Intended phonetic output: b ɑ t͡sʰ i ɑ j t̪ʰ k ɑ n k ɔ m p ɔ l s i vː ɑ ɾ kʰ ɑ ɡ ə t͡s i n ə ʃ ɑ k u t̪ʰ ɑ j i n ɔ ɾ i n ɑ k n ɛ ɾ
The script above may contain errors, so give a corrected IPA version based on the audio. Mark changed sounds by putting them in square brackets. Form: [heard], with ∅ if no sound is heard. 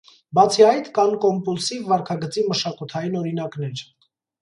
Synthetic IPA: b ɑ t͡sʰ i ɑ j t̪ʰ k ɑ n k ɔ m p [u] l s i vː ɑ ɾ kʰ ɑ ɡ ə t͡s i [m] ə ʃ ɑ k u t̪ʰ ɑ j i n ɔ ɾ i n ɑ k n ɛ ɾ